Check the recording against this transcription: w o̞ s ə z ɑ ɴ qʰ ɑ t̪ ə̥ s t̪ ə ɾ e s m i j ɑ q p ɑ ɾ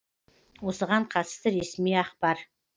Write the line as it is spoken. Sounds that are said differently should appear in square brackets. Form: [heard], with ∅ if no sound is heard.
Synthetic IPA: w o̞ s ə [ʁ] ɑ ɴ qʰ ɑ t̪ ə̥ s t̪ ə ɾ e s m i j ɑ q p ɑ ɾ